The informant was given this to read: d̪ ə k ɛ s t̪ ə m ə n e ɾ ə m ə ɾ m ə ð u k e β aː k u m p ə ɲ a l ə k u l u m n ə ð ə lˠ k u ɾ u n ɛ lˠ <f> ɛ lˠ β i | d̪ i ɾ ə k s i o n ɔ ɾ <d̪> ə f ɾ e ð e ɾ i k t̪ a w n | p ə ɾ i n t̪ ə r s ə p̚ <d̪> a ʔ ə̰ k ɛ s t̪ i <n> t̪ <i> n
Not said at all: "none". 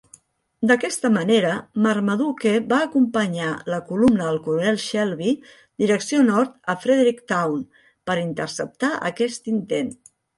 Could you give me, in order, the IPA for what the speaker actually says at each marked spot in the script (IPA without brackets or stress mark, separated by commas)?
ʃ, t̪, t̪, n, e